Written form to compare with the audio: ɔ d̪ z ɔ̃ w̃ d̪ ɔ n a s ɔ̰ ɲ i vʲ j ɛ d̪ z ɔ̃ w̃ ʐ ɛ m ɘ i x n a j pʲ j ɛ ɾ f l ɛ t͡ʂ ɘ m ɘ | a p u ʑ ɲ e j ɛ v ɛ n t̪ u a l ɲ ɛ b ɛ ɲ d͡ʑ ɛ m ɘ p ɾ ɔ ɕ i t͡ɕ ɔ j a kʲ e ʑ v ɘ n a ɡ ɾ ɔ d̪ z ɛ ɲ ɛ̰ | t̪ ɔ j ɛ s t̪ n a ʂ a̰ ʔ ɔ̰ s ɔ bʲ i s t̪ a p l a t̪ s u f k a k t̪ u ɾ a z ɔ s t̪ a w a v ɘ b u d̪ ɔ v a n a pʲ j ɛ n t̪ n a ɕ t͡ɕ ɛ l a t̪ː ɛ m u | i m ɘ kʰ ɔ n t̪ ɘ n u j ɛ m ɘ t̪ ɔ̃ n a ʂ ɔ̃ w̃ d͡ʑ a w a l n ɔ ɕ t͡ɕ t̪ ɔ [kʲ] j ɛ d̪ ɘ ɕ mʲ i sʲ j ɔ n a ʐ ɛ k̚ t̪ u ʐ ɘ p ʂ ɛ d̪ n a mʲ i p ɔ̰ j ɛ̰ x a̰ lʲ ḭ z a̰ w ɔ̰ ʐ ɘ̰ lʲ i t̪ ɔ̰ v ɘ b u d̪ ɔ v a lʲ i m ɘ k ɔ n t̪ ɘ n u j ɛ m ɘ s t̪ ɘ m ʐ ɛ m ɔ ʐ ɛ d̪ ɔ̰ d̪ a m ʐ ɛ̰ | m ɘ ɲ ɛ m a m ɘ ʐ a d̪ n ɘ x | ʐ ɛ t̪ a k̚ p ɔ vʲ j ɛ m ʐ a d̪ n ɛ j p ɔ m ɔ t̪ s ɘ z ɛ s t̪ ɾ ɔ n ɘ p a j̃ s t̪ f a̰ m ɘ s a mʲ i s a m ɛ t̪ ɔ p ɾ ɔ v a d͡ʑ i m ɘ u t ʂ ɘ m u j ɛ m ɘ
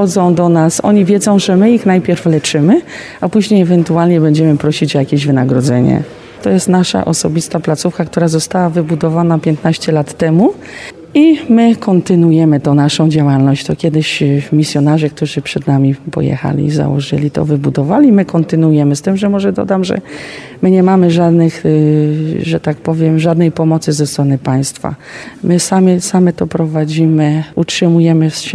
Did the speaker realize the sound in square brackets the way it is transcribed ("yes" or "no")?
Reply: yes